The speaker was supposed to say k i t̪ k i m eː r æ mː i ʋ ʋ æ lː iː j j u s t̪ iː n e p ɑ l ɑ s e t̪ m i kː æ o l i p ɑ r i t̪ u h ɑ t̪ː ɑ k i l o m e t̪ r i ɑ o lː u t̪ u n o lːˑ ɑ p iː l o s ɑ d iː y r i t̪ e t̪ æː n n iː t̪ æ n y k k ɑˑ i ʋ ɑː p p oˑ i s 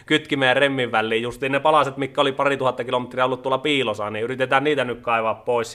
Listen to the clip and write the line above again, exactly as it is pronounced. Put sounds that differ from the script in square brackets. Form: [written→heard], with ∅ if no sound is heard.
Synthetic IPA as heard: k [i→y] t̪ k i m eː r [æ→e] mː i ʋ ʋ æ lː iː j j u s t̪ iː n e p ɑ l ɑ s e t̪ m i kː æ o l i p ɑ r i t̪ u h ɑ t̪ː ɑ k i l o m e t̪ r i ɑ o lː u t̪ u [n→∅] o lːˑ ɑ p iː l o s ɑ [d→n] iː y r i t̪ e t̪ æː n n iː t̪ æ n y k k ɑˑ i ʋ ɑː p p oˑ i s